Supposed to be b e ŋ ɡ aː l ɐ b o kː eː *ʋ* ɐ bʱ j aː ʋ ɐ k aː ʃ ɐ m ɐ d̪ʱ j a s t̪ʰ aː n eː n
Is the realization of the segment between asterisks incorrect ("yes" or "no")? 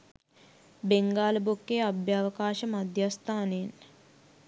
yes